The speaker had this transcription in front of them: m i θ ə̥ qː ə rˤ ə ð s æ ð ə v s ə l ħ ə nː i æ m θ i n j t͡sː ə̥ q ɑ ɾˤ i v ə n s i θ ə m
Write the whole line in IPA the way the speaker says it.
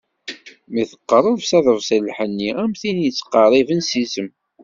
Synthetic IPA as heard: m i θ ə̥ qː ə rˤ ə ð s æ ð ə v s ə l ħ ə nː i æ m θ i n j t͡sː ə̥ q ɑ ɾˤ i v ə n s i s ə m